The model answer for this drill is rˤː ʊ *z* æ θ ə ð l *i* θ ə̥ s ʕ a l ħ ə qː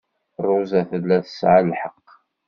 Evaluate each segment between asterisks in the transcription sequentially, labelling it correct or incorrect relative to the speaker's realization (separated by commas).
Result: correct, incorrect